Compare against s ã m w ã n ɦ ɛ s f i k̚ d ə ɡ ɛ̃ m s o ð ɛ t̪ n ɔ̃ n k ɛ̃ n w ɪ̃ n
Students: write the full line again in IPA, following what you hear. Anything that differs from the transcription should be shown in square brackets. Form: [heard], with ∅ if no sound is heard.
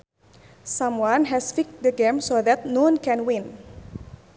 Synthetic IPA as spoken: s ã m w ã n ɦ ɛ s f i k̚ d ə ɡ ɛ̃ m s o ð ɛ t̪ n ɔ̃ n k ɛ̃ n w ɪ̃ n